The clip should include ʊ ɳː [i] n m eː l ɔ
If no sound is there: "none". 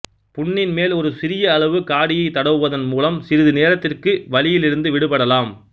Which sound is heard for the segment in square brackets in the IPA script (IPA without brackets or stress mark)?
ɪ